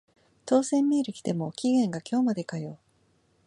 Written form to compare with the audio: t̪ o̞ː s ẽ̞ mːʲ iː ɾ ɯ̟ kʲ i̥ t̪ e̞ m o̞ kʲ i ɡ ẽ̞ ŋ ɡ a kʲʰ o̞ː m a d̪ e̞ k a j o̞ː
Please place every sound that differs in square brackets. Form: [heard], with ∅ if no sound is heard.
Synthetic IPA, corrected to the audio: t̪ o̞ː s ẽ̞ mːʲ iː ɾ ɯ̟ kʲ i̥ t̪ e̞ m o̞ kʲ i ɡ ẽ̞ ŋ ɡ a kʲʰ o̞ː m a d̪ e̞ k a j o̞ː